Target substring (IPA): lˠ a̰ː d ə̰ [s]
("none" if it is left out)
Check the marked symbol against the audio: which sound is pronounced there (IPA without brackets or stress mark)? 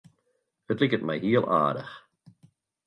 x